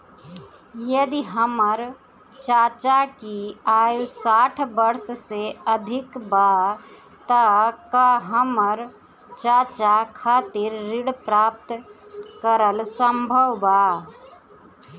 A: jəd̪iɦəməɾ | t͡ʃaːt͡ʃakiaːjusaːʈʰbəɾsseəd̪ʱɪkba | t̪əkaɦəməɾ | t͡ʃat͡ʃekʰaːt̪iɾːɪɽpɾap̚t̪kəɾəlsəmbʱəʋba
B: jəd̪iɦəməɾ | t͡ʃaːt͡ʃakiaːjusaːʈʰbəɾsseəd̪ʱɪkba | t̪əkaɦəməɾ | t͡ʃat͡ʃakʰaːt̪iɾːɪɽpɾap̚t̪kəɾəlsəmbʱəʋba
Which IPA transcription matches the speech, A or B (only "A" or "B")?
B